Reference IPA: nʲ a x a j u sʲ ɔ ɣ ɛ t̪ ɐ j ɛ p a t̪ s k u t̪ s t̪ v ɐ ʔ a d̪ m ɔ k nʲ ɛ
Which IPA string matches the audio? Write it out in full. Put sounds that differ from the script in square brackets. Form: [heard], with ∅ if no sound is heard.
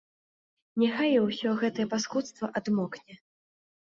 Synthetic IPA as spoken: nʲ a x a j [w] sʲ ɔ ɣ ɛ t̪ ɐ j ɛ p a [∅] s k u t̪ s t̪ v ɐ ʔ a d̪ m ɔ k nʲ ɛ